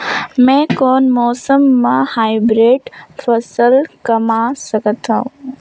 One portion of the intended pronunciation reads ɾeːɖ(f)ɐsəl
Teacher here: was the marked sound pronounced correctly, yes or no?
yes